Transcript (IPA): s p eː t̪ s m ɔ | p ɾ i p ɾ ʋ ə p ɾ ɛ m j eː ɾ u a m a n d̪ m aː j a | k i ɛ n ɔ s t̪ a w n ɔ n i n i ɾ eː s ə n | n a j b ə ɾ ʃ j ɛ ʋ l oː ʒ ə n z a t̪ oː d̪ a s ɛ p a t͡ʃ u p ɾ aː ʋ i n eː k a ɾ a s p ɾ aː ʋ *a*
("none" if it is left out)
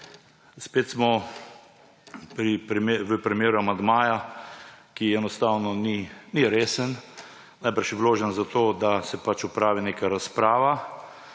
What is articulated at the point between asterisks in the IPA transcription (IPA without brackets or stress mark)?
a